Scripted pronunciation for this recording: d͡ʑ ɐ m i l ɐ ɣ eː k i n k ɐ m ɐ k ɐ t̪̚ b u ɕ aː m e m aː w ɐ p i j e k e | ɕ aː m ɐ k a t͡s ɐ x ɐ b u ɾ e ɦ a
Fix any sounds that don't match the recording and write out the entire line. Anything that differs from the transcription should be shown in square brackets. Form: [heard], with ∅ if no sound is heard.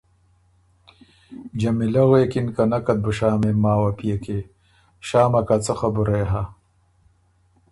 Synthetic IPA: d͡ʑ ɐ m i l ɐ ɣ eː k i n k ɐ [n] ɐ k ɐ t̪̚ b u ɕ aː m e m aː w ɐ p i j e k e | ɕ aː m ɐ k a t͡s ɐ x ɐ b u ɾ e ɦ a